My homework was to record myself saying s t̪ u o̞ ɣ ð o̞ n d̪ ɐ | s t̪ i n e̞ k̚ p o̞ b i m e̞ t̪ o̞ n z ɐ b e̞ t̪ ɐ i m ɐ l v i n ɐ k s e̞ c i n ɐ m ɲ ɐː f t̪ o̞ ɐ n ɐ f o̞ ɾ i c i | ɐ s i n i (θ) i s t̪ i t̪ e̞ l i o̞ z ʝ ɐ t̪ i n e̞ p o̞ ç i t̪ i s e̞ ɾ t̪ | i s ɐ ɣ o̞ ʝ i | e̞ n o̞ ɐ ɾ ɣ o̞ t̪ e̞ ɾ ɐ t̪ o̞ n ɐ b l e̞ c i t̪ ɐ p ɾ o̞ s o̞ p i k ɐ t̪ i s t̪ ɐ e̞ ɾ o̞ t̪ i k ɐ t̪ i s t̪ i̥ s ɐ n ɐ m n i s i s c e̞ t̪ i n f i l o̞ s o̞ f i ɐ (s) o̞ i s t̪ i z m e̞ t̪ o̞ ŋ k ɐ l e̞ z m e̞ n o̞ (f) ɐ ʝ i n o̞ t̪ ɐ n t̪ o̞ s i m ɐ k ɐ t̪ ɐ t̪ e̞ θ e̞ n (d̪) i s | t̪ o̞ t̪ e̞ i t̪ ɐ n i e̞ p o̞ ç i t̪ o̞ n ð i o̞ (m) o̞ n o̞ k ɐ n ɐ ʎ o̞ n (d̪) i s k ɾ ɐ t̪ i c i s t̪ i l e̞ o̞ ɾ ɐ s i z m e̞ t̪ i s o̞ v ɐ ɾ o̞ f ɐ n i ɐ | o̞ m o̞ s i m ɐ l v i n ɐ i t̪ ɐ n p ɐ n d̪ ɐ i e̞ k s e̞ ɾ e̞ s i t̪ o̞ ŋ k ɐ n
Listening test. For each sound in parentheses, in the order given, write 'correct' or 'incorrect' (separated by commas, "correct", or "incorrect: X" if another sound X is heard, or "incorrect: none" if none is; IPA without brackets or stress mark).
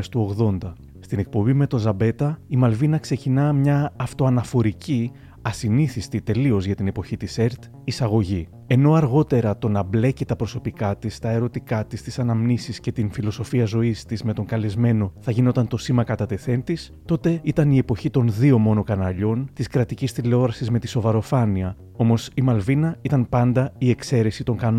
correct, incorrect: z, incorrect: θ, incorrect: t̪, correct, incorrect: t̪